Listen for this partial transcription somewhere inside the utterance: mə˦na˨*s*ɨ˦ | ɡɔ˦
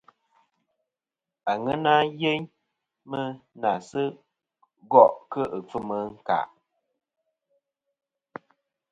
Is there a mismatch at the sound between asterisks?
no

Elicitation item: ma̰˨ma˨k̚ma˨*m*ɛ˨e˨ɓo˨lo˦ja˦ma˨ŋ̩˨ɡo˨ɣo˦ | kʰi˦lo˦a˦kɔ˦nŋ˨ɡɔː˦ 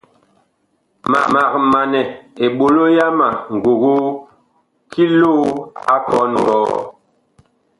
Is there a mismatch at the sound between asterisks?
yes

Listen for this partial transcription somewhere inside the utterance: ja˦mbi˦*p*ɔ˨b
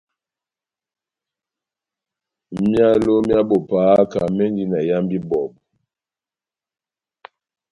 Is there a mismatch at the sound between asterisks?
yes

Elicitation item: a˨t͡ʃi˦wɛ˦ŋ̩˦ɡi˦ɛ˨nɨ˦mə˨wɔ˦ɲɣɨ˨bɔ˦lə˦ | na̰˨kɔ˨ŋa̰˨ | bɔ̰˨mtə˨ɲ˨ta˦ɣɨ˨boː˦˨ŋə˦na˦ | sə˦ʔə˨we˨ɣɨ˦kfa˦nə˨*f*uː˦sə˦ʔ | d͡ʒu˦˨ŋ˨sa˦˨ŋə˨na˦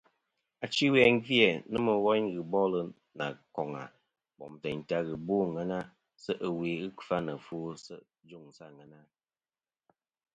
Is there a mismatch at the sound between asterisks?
no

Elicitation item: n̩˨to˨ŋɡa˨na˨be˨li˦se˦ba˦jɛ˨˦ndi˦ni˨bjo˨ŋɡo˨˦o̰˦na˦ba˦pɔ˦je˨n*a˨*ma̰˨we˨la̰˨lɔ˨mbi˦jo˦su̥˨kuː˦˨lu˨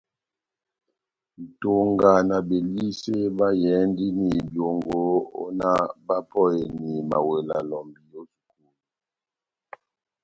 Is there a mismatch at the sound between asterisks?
yes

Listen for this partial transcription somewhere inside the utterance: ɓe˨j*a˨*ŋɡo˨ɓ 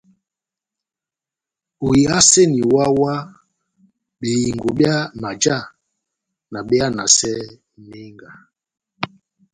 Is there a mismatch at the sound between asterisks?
yes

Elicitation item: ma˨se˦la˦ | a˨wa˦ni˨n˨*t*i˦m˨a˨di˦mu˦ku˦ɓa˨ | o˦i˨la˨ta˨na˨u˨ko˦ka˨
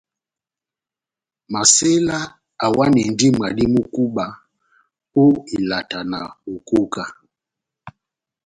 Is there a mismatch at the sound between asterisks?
yes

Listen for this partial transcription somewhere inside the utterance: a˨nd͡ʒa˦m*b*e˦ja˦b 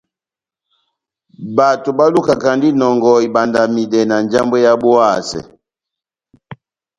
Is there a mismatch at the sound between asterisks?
no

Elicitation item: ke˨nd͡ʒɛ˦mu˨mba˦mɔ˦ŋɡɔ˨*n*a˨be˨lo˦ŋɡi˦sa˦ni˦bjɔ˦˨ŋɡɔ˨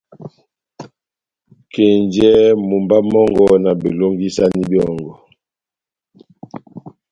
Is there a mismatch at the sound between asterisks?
no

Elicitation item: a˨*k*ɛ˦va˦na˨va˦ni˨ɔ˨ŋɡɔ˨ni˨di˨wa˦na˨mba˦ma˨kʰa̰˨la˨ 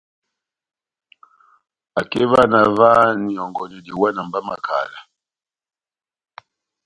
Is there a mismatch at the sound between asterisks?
no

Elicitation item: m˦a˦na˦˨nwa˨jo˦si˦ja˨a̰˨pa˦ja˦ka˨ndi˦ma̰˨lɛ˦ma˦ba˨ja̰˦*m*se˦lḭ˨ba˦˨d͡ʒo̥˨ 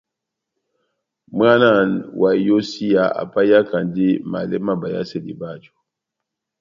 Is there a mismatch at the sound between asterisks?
yes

